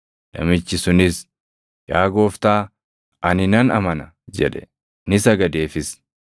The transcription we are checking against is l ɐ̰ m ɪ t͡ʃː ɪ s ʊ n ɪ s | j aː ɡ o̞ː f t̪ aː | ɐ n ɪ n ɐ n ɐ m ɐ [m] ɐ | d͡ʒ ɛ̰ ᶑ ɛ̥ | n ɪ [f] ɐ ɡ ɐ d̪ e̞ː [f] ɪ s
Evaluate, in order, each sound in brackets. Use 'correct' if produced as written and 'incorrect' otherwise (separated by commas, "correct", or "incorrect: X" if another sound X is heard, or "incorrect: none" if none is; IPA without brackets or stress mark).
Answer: incorrect: n, incorrect: s, correct